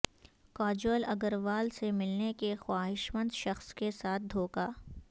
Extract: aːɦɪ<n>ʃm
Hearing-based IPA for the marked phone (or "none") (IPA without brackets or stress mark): none